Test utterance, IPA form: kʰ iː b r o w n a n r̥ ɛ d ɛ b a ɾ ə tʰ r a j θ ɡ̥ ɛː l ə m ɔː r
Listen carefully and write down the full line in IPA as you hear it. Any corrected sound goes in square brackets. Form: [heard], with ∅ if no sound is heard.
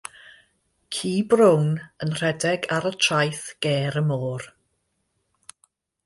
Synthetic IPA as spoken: kʰ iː b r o w n [ə] n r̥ ɛ d ɛ [ɡ] a ɾ ə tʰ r a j θ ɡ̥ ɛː [ɾ] ə m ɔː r